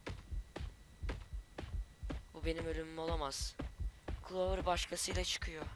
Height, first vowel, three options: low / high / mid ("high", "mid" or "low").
high